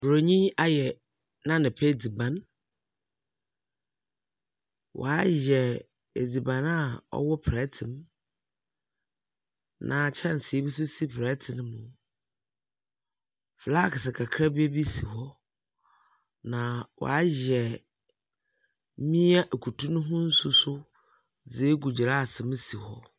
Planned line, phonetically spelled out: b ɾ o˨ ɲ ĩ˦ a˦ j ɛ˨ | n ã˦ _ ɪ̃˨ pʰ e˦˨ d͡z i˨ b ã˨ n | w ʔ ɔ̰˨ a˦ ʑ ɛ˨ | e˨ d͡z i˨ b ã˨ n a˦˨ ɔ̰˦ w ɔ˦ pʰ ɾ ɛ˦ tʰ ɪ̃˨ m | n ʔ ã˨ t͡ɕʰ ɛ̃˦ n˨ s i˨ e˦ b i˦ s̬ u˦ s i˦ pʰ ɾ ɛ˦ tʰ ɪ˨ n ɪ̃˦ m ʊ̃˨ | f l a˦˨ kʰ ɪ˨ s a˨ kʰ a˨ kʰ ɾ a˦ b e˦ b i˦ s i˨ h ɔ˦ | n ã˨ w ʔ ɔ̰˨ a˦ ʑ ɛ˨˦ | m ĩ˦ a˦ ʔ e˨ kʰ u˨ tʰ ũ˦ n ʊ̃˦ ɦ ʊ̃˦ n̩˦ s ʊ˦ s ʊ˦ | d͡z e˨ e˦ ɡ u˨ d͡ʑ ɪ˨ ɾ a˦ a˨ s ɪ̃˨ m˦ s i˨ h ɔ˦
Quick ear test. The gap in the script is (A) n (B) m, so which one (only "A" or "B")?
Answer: A